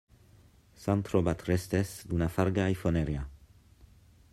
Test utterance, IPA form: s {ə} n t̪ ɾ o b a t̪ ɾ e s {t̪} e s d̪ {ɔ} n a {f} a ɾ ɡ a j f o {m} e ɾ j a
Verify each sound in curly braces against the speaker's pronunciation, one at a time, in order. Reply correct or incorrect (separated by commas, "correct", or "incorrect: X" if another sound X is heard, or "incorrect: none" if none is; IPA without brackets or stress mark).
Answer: incorrect: a, correct, incorrect: u, correct, incorrect: n